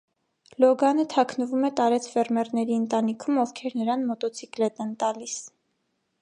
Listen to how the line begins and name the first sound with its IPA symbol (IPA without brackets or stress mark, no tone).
l